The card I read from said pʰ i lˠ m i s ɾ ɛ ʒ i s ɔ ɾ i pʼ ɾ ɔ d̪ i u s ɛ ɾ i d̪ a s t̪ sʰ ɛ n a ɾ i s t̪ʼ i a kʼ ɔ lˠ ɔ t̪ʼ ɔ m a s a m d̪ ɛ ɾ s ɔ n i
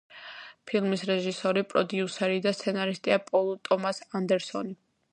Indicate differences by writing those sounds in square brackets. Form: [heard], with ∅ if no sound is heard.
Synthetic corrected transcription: pʰ i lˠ m i s ɾ ɛ ʒ i s ɔ ɾ i pʼ ɾ ɔ d̪ i u s ɛ ɾ i d̪ a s t̪ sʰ ɛ n a ɾ i s t̪ʼ i a [pʼ] ɔ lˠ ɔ t̪ʼ ɔ m a s a [n] d̪ ɛ ɾ s ɔ n i

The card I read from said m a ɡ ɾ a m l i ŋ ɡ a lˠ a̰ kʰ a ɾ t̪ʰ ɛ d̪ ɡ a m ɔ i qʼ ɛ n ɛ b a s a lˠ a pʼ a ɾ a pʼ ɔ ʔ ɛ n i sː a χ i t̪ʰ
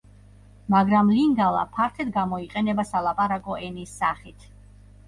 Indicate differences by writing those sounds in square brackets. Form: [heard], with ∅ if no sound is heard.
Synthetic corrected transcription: m a ɡ ɾ a m l i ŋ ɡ a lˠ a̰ [pʰ] a ɾ t̪ʰ ɛ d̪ ɡ a m ɔ i qʼ ɛ n ɛ b a s a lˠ a pʼ a ɾ a [kʼ] ɔ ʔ ɛ n i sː a χ i t̪ʰ

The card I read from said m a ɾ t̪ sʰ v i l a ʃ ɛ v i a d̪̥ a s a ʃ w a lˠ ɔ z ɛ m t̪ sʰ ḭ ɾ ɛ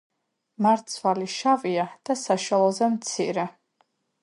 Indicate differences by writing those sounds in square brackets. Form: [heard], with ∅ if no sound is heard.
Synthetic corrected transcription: m a ɾ t̪ sʰ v [a] l [i] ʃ [a] v i a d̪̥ a s a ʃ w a lˠ ɔ z ɛ m t̪ sʰ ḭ ɾ ɛ

